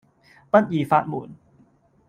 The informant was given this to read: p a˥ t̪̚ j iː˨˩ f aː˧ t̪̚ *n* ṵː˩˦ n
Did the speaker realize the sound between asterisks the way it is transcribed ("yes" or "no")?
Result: no